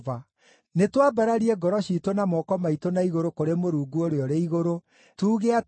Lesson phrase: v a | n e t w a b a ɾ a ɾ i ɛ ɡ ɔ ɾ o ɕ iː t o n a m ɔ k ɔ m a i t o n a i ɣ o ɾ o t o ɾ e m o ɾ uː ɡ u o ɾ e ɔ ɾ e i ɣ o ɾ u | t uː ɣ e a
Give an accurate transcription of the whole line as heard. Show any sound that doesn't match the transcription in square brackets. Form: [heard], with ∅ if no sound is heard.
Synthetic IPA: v a | n e t w a b a ɾ a ɾ i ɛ ɡ ɔ ɾ [ɔ] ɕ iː t o n a m ɔ k ɔ m a i t o n a i ɣ o ɾ o [k] o ɾ e m o ɾ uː ɡ u o ɾ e ɔ ɾ e i ɣ o ɾ [o] | t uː ɣ e a